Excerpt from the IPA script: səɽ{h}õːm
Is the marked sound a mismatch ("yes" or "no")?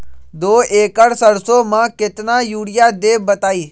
yes